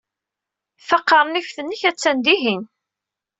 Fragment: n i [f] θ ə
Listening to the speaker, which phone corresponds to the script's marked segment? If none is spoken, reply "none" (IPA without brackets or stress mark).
f